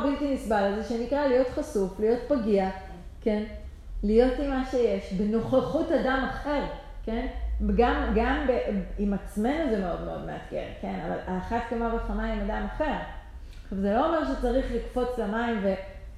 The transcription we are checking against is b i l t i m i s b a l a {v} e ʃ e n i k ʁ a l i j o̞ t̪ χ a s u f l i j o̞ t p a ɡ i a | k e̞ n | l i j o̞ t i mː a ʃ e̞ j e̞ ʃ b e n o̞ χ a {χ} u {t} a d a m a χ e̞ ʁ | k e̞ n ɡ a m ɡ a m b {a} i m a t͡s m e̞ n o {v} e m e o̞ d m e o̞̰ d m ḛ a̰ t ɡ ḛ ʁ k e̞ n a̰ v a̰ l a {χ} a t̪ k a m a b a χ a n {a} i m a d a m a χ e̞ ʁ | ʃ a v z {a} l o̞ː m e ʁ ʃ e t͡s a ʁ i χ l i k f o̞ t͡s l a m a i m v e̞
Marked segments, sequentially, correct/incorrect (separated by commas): incorrect, correct, correct, incorrect, incorrect, correct, correct, incorrect